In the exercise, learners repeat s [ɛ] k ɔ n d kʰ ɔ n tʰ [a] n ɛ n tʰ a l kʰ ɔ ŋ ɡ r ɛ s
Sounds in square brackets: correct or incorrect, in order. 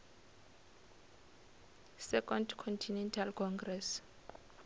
correct, incorrect: i

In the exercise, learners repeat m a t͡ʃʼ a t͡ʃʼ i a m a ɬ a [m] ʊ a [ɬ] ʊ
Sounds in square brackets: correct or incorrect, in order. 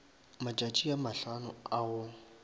incorrect: n, incorrect: none

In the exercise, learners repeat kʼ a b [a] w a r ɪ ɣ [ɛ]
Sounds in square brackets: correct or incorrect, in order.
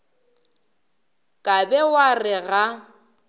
incorrect: ɛ, incorrect: a

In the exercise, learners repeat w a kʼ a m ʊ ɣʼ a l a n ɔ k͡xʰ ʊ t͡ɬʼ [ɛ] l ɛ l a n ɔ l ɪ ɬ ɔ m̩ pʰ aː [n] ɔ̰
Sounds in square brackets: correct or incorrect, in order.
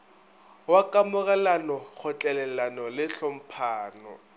correct, correct

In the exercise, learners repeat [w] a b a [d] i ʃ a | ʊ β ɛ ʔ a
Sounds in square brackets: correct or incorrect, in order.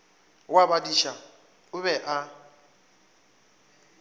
correct, correct

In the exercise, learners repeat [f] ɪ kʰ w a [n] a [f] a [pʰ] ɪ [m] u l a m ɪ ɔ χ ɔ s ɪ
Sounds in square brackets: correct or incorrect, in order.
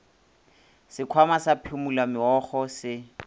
incorrect: s, incorrect: m, incorrect: s, correct, correct

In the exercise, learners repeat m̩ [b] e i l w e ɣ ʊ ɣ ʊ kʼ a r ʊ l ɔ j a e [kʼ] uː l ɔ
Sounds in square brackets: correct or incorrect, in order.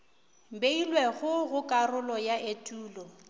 correct, incorrect: tʼ

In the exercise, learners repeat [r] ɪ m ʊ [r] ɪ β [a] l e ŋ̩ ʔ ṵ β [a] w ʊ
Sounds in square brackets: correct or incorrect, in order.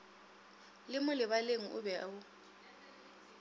incorrect: l, incorrect: l, correct, incorrect: ɛ

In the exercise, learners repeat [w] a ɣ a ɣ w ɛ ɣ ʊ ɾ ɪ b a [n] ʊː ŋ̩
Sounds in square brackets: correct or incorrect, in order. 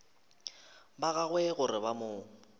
incorrect: b, incorrect: m

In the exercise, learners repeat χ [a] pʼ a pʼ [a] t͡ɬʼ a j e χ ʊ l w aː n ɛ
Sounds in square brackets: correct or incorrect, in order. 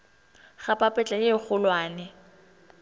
correct, incorrect: ɛ

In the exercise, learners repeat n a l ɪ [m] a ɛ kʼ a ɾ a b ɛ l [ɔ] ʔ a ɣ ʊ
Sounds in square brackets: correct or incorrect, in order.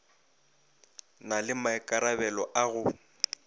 correct, correct

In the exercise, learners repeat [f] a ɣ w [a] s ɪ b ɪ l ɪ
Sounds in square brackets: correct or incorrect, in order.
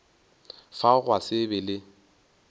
correct, correct

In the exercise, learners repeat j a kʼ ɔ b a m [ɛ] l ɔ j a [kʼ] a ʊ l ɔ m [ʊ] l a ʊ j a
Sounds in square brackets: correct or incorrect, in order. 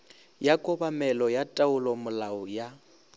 correct, incorrect: tʼ, correct

